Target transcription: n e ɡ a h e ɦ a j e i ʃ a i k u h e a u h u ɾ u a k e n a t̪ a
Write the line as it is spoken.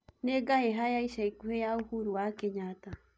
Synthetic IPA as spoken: n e ɡ a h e ɦ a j a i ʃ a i k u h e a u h u ɾ u a k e ɲ a t̪ a